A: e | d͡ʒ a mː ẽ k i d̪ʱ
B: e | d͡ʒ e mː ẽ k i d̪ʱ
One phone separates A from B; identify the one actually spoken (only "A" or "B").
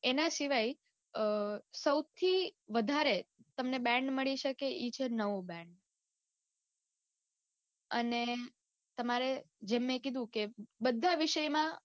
B